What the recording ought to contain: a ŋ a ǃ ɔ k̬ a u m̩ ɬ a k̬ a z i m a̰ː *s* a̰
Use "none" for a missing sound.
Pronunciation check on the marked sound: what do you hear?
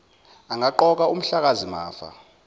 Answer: f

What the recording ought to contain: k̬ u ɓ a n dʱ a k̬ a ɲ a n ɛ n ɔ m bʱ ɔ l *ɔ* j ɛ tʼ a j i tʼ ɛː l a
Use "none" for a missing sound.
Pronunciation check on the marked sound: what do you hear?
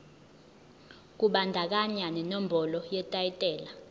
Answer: ɔ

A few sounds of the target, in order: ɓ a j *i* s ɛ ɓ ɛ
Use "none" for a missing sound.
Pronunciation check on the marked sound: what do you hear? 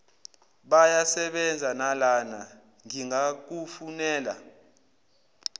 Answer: a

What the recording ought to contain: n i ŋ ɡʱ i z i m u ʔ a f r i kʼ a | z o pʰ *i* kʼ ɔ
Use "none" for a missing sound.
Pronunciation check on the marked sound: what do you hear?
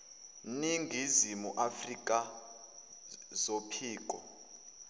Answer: iː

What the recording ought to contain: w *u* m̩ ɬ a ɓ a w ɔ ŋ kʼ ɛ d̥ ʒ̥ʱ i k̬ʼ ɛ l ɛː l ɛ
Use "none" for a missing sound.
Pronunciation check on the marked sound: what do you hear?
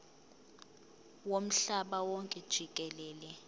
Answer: o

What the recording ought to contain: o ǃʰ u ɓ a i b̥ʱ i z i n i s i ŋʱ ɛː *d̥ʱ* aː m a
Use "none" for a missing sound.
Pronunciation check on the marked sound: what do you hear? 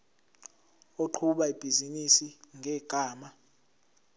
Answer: ɡ̥ʱ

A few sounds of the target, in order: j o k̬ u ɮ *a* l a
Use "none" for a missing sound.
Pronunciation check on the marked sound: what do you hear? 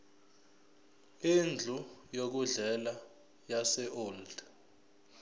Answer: ɛ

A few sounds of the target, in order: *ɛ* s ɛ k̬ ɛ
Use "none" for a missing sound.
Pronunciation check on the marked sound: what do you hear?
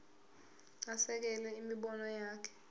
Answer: a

